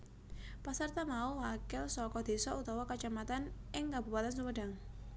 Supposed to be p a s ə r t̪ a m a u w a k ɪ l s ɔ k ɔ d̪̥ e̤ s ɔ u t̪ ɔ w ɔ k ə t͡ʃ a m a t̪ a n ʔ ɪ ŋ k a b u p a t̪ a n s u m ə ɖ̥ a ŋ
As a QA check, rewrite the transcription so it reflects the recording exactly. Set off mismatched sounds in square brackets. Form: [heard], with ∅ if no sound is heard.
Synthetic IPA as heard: p a s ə r t̪ a m a u w a k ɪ l s ɔ k ɔ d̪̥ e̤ s ɔ u t̪ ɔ w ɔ k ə t͡ʃ a m a t̪ a n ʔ ɪ ŋ k a b u p a t̪ a n s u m ə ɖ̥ a ŋ